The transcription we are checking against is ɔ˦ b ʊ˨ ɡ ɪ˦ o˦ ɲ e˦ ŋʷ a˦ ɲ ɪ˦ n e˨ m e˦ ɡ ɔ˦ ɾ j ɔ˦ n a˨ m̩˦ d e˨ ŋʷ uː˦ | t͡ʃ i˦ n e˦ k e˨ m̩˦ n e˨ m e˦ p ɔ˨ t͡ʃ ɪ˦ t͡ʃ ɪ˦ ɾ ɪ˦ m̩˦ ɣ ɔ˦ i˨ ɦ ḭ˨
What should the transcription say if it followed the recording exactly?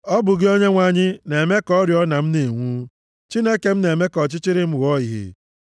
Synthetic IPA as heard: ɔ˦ b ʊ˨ ɡ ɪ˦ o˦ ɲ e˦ ŋʷ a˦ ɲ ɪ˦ n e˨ m e˦ k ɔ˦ ɾ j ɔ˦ n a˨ m̩˦ n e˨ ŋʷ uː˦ | t͡ʃ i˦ n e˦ k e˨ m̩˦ n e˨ m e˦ k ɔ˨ t͡ʃ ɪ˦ t͡ʃ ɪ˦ ɾ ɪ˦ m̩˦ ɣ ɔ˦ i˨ ɦ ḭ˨